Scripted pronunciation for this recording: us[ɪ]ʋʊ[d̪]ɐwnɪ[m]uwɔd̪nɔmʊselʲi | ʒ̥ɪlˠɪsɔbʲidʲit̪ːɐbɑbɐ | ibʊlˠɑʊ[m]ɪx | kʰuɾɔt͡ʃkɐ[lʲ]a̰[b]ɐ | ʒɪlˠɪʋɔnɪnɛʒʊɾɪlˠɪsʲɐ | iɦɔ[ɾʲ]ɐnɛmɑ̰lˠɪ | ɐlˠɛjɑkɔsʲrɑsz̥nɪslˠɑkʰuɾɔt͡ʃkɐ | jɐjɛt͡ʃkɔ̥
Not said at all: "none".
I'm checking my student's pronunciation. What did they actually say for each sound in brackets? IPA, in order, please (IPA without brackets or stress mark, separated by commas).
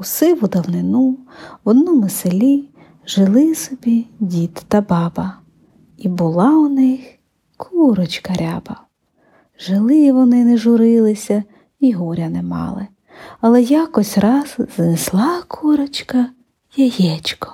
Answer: ɪ, d̪, n, n, ɾʲ, b, ɾʲ